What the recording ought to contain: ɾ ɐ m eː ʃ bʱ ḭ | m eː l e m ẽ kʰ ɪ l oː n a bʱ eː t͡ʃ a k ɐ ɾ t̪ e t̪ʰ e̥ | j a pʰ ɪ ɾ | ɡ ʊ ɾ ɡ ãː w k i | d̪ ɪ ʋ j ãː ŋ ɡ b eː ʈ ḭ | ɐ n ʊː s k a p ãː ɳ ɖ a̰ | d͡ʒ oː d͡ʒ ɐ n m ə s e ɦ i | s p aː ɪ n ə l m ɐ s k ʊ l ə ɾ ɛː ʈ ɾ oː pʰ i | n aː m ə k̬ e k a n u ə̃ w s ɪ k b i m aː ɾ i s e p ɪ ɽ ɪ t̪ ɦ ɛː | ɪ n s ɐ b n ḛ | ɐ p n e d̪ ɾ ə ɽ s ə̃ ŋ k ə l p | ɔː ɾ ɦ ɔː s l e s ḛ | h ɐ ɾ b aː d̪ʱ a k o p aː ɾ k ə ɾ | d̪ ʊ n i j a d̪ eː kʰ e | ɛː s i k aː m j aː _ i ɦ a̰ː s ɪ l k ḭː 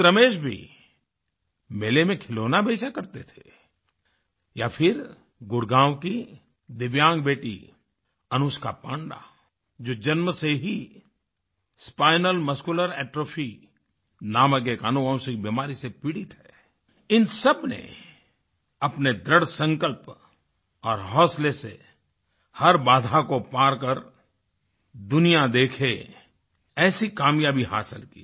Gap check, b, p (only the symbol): b